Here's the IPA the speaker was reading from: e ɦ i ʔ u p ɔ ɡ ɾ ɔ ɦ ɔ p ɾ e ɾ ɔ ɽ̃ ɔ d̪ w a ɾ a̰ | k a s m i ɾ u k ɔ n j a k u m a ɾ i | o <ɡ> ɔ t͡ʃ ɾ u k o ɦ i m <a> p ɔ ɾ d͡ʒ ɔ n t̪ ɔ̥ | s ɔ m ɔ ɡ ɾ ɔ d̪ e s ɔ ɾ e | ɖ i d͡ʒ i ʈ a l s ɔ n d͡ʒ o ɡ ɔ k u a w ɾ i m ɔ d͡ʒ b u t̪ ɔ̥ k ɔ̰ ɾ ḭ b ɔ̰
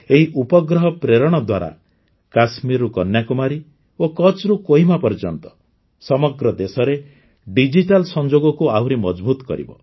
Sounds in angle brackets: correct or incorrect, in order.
incorrect, correct

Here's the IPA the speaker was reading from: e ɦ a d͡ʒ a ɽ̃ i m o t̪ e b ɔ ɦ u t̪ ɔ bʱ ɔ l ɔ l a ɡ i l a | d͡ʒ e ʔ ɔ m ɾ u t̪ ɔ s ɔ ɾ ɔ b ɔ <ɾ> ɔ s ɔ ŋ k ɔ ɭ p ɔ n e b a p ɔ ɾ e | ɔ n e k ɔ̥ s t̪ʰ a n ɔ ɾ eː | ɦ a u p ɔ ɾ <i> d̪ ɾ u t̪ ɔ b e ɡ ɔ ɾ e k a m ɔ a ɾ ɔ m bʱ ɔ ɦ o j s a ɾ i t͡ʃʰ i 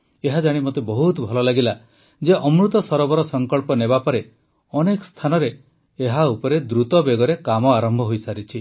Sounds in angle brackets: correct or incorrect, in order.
correct, incorrect

